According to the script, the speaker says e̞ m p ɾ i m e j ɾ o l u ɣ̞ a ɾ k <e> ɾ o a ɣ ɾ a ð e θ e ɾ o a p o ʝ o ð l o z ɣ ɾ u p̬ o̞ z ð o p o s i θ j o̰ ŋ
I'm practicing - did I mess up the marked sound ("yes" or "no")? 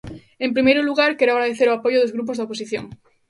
no